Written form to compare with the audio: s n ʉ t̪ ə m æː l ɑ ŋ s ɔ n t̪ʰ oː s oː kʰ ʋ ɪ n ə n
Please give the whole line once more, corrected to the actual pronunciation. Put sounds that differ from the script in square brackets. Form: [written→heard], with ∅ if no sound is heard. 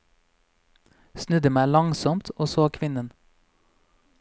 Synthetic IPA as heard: s n ʉ [t̪→d̪] ə m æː l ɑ ŋ s ɔ [n→m] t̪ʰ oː s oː kʰ ʋ ɪ n ə n

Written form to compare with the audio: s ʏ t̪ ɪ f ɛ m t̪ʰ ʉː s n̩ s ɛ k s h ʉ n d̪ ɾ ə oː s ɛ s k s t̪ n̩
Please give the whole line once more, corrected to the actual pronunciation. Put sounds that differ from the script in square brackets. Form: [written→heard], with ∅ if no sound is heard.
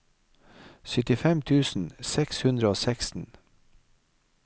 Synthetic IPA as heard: s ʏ t̪ ɪ f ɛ m t̪ʰ ʉː s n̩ s ɛ k s h ʉ n d̪ ɾ ə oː s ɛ [s→∅] k s t̪ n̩

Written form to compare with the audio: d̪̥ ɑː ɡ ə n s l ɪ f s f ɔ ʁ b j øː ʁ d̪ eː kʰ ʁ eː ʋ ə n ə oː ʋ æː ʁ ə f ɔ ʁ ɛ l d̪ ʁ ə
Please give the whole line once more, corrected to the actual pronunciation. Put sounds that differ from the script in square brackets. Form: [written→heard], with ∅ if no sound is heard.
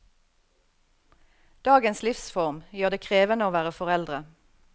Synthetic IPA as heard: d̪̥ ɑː ɡ ə n s l ɪ f s f ɔ ʁ [b→m] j øː ʁ d̪ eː kʰ ʁ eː ʋ ə n ə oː ʋ æː ʁ ə f ɔ ʁ ɛ l d̪ ʁ ə

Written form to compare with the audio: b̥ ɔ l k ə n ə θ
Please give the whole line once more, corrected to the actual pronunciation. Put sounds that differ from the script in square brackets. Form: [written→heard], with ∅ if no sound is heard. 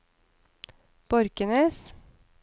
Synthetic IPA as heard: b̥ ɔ [l→ɾ] k ə n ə [θ→s]

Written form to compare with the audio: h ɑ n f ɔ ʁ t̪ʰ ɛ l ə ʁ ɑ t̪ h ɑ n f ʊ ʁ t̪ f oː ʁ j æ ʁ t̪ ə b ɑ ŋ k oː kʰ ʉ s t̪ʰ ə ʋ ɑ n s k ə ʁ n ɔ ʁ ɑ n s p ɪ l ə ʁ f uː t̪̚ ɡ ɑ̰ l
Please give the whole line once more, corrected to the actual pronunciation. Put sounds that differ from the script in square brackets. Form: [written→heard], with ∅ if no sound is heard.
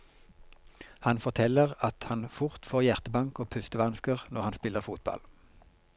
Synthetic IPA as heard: h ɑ n f ɔ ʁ t̪ʰ ɛ l ə ʁ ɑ t̪ h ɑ n f ʊ ʁ t̪ f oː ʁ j æ ʁ t̪ ə b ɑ ŋ k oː [kʰ→pʰ] ʉ s [t̪ʰ→t̪] ə ʋ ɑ n s k ə ʁ n ɔ ʁ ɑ n s p ɪ l ə ʁ f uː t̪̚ [ɡ→b] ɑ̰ l

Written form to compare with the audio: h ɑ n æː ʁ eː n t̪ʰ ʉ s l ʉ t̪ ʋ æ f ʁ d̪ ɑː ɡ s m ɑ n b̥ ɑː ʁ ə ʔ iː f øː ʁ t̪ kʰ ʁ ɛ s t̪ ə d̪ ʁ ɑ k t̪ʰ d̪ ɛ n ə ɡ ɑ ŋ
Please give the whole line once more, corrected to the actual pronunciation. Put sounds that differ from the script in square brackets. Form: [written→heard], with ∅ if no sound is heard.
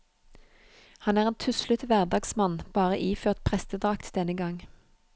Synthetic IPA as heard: h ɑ n æː ʁ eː n t̪ʰ ʉ s l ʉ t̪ ʋ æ [f→∅] ʁ d̪ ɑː ɡ s m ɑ n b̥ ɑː ʁ ə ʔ iː f øː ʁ t̪ [kʰ→pʰ] ʁ ɛ s t̪ ə d̪ ʁ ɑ k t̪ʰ d̪ ɛ n ə ɡ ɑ ŋ

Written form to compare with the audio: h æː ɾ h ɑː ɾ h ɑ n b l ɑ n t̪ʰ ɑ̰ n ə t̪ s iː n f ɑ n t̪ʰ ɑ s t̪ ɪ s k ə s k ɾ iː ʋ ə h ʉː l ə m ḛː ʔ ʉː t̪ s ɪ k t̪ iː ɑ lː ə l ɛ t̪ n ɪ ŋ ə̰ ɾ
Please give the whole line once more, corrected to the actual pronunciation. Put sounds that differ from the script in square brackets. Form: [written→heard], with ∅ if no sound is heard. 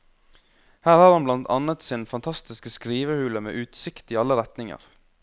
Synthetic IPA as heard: h æː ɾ h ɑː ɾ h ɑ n b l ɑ n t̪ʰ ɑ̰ n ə t̪ s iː n f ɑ n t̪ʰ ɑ s t̪ ɪ s k ə s k ɾ iː ʋ ə h ʉː l ə m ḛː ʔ ʉː t̪ s ɪ k t̪ iː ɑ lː ə [l→ɾ] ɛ t̪ n ɪ ŋ ə̰ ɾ

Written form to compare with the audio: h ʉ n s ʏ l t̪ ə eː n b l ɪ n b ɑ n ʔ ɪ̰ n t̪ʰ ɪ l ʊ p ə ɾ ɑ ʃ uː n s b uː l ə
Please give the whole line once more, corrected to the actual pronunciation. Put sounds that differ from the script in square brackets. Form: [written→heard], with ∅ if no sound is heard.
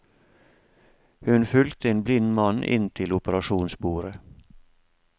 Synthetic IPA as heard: h ʉ n [s→f] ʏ l t̪ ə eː n b l ɪ n [b→m] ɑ n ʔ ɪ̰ n t̪ʰ ɪ l ʊ p ə ɾ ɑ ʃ uː n s b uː [l→ɾ] ə

